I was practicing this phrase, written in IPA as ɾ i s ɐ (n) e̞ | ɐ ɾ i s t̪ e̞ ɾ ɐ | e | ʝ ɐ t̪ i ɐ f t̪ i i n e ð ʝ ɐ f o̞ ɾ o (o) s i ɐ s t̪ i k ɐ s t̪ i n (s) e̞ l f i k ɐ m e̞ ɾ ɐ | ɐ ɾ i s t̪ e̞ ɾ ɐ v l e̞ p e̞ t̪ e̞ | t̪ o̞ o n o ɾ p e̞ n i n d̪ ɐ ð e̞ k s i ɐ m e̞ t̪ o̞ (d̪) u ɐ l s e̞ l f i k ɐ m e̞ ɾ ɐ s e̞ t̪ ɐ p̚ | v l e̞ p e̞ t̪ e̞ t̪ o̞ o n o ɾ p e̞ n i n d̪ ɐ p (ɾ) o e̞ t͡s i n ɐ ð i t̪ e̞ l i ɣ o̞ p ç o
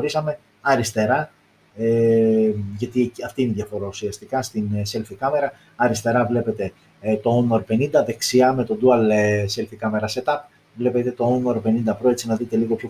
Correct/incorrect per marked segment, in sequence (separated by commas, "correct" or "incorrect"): incorrect, incorrect, correct, correct, correct